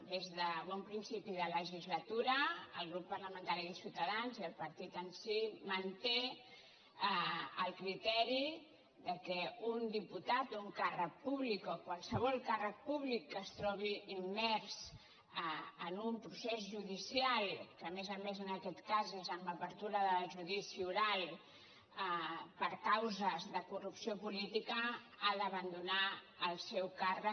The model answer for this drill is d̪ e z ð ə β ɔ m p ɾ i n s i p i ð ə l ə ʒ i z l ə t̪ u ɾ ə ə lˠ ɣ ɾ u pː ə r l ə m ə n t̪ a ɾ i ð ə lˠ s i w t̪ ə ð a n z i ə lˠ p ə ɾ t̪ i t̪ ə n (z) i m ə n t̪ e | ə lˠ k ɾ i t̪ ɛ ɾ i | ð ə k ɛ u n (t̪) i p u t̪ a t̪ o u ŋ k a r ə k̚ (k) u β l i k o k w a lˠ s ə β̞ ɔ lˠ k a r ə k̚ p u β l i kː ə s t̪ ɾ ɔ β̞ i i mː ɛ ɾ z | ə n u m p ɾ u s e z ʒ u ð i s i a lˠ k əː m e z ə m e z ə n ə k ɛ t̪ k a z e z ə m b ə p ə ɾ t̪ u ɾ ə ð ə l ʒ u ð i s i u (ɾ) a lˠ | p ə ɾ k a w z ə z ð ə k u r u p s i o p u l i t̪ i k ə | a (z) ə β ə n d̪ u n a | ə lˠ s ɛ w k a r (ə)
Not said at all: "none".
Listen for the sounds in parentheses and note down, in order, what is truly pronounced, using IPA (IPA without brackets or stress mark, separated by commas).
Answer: s, d̪, p, ɾ, ð, ə